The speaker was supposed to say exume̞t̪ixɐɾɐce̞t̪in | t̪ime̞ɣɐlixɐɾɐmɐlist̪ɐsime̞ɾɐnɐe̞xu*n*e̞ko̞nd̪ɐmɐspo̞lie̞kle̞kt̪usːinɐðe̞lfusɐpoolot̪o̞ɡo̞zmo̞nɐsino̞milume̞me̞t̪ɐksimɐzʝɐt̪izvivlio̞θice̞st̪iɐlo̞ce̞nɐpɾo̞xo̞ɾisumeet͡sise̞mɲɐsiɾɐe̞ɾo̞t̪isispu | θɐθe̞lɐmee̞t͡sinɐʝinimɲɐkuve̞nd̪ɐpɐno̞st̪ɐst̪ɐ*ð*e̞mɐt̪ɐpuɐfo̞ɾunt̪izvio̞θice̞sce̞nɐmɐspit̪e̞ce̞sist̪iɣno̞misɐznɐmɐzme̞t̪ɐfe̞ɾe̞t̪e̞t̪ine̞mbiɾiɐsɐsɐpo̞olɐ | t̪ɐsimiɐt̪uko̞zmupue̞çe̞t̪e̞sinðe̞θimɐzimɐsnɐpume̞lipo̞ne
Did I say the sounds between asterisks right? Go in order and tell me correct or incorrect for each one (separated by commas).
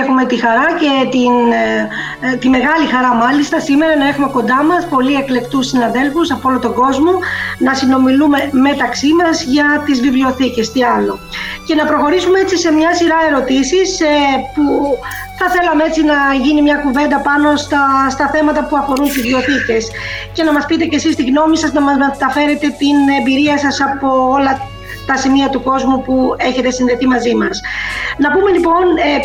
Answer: incorrect, incorrect